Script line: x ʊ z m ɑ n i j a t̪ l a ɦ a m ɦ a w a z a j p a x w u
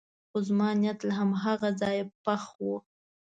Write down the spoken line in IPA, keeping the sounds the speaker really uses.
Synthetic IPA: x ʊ z m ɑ n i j a t̪ l a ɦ a m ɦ a ɣ a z ɑ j p a x w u